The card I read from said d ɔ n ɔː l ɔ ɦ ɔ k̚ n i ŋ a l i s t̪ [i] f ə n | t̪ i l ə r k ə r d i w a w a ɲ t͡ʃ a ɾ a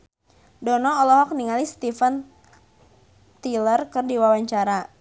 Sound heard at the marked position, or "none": i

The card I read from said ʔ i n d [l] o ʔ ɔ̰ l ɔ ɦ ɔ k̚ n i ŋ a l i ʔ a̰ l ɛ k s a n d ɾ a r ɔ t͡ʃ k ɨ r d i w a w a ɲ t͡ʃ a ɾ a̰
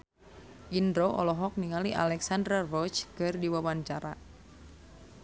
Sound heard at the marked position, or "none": ɾ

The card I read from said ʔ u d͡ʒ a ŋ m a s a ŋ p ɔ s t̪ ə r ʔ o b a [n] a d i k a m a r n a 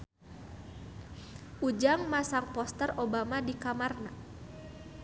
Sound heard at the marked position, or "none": m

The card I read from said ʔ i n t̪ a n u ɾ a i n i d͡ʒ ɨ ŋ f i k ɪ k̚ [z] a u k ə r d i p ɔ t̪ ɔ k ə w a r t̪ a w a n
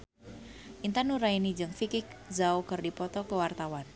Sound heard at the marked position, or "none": z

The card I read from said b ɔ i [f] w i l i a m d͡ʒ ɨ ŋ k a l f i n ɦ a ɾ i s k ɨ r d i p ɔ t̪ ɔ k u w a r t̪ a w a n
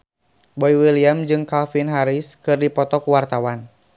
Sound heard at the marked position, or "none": none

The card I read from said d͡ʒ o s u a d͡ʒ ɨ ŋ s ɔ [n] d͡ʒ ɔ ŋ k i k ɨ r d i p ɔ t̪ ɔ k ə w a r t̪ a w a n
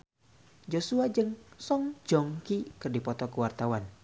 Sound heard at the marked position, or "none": ŋ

